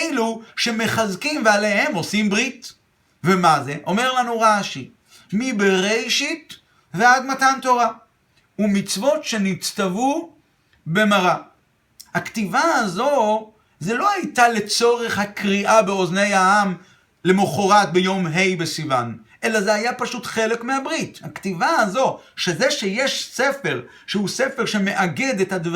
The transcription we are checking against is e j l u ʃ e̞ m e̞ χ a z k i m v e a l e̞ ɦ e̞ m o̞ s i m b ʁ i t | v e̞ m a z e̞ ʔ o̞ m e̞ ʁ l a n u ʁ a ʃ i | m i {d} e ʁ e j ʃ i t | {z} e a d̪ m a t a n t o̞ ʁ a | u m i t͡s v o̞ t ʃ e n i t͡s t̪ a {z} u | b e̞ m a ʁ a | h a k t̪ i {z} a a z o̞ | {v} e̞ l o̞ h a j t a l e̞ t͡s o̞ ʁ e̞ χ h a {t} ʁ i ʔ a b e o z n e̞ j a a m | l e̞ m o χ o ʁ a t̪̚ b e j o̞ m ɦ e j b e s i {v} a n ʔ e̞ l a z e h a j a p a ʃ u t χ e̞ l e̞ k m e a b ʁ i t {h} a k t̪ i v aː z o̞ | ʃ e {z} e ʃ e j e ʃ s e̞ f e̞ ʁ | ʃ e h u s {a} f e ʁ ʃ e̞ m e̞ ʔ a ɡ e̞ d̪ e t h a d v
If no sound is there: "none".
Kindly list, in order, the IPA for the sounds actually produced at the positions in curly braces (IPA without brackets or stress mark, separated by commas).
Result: b, v, v, v, z, k, v, h, z, e